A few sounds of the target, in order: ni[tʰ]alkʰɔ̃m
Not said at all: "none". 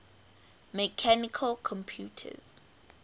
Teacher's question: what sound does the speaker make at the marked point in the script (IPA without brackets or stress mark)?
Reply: kʰ